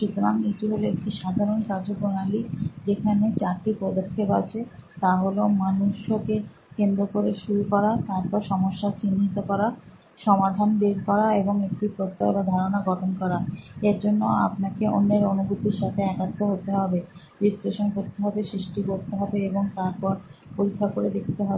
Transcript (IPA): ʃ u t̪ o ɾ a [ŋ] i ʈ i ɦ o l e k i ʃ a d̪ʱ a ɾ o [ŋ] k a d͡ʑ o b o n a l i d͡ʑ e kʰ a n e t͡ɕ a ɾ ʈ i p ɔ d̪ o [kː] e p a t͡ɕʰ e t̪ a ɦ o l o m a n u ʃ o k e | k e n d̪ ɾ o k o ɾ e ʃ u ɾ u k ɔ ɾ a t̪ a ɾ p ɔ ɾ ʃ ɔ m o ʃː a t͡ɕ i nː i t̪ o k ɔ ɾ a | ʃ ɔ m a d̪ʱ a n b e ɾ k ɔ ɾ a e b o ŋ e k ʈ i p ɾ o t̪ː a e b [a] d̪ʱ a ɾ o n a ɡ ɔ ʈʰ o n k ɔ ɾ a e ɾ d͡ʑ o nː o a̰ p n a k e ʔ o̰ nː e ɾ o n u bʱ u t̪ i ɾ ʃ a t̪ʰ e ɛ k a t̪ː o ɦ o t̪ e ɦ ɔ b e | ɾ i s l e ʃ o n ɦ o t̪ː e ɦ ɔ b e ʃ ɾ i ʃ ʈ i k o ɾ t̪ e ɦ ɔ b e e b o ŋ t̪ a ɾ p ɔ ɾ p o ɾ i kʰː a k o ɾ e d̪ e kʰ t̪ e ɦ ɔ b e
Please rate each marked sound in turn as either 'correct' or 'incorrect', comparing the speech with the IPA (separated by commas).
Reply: correct, incorrect, incorrect, correct